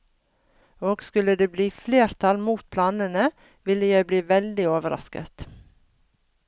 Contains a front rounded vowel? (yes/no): no